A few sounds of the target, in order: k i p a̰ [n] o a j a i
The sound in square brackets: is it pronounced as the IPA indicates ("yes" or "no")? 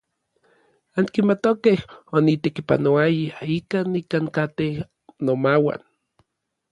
yes